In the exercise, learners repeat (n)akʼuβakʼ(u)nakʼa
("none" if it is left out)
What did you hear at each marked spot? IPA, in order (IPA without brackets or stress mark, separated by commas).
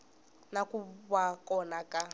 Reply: n, ɔ